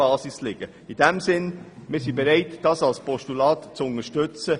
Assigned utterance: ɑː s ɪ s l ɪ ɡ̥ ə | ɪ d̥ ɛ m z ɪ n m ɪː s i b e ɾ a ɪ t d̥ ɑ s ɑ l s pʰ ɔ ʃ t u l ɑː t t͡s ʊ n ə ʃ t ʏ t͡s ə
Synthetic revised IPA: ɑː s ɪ s l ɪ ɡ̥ ə | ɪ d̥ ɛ m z ɪ n m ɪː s i b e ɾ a ɪ t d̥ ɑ s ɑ l s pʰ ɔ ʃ t u l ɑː t t͡s ʊ n ə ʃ t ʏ t͡s ə